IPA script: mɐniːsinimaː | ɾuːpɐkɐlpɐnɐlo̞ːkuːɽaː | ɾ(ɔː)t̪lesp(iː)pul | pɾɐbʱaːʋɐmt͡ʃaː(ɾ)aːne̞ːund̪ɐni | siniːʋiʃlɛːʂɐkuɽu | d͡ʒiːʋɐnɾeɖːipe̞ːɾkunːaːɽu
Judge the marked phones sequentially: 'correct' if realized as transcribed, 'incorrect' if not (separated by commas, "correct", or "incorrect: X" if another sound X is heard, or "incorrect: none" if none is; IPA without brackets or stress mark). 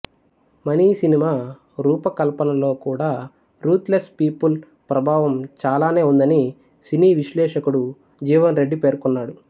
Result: incorrect: uː, correct, incorrect: l